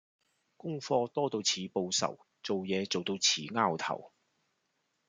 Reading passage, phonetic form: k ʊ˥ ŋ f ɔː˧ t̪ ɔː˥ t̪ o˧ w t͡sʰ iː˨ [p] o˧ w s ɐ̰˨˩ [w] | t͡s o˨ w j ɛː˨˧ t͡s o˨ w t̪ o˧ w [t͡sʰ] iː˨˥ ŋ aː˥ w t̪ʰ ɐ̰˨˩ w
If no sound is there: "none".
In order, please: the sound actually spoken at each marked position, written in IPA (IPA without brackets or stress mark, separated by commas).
p, w, t͡sʰ